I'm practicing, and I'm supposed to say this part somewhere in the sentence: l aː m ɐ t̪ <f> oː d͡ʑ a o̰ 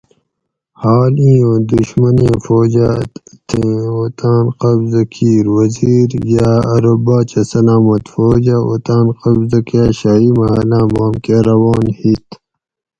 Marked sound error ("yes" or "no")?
no